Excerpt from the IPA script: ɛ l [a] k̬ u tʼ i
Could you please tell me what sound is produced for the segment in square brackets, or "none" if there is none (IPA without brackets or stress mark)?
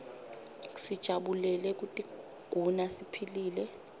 ɛ